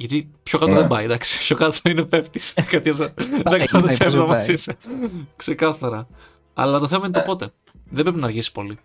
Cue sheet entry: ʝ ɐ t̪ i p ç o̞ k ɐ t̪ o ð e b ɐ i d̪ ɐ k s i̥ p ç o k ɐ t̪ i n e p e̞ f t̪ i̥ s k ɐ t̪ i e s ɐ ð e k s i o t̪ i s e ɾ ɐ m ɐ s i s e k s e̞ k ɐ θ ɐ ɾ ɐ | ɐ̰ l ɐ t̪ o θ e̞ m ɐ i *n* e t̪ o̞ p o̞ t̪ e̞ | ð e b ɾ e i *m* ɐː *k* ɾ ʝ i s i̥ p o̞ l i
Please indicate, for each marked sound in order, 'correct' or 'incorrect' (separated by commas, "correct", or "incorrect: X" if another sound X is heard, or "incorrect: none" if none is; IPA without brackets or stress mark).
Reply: correct, incorrect: n, incorrect: none